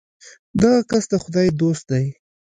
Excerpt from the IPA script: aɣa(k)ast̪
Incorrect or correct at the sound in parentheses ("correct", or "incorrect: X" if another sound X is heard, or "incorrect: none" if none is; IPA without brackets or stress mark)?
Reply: correct